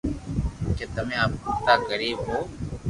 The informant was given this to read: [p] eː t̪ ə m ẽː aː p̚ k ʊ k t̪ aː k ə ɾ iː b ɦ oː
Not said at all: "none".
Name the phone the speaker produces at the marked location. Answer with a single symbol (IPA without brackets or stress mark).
k